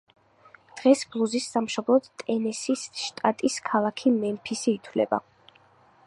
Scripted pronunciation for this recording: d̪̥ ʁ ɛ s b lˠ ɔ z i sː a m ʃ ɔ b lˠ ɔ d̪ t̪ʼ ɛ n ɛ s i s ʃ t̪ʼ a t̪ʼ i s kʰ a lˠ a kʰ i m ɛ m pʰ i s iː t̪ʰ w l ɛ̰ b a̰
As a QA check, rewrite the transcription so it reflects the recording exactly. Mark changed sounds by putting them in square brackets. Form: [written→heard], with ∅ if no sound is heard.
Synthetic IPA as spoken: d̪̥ ʁ ɛ s b lˠ [ɔ→u] z i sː a m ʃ ɔ b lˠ ɔ d̪ t̪ʼ ɛ n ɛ s i s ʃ t̪ʼ a t̪ʼ i s kʰ a lˠ a kʰ i m ɛ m pʰ i s iː t̪ʰ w l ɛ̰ b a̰